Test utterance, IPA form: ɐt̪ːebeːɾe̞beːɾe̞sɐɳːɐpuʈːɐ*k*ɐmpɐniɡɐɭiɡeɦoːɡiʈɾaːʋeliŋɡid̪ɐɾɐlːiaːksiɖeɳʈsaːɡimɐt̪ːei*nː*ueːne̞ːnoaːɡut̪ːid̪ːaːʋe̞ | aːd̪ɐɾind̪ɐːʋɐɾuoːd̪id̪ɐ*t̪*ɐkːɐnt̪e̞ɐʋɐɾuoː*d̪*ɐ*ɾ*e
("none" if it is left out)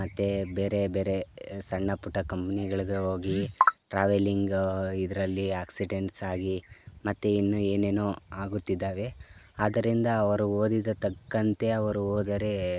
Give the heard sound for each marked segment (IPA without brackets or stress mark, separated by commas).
k, nː, t̪, d̪, ɾ